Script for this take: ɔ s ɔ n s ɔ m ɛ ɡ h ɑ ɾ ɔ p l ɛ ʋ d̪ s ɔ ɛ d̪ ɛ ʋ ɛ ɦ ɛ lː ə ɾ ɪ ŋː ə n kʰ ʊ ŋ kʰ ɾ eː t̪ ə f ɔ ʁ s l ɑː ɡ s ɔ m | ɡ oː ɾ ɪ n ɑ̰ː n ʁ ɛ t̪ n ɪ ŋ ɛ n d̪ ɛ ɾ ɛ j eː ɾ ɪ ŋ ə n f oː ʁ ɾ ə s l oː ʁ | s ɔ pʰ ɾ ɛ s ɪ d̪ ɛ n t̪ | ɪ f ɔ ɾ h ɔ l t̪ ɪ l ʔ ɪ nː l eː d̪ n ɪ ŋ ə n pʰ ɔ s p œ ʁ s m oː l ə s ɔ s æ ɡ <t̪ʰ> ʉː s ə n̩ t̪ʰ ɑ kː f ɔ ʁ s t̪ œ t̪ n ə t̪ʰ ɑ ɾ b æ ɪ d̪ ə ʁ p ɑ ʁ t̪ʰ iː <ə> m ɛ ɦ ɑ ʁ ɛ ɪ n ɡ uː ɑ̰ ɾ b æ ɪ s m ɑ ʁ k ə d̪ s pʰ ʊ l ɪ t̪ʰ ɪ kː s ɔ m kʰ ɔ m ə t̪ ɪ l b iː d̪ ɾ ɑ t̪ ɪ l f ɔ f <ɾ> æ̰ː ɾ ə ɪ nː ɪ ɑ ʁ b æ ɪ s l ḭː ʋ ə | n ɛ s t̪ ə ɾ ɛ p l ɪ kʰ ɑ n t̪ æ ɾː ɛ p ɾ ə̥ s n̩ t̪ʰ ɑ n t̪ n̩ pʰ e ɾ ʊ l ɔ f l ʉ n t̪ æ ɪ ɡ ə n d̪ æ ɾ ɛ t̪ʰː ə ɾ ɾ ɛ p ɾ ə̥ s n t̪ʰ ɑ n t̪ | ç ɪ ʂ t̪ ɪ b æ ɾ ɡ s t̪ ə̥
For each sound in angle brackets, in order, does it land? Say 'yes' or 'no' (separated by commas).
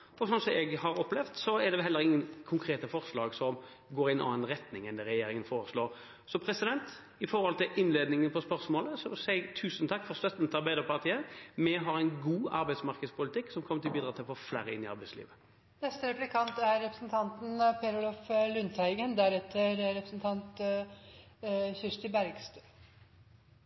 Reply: yes, yes, no